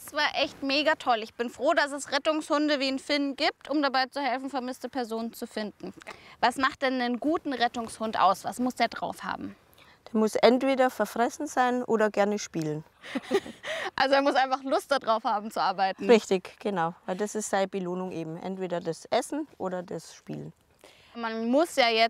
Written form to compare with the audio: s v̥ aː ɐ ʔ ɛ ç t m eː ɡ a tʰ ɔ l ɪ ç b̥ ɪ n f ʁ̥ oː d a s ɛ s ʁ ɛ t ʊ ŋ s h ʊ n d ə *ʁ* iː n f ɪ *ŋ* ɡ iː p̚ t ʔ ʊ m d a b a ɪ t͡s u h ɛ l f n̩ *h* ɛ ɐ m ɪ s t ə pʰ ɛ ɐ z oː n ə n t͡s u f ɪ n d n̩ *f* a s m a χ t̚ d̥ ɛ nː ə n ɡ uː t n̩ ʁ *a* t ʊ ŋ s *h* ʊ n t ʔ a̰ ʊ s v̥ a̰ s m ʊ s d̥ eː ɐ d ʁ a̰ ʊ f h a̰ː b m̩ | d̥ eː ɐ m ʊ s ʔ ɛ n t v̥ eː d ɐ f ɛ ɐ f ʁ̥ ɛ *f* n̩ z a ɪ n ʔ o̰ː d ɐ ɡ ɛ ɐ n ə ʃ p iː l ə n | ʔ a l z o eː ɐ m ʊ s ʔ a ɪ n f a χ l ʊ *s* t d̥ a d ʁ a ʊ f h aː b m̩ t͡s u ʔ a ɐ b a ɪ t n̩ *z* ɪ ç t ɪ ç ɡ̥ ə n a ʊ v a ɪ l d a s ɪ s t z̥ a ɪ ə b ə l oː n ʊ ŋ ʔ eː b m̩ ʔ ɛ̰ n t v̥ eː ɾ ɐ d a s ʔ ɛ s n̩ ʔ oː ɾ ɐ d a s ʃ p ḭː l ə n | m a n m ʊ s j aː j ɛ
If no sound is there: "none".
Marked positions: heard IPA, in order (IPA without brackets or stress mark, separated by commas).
v, n, f, v, ɛ, h, s, s, ʁ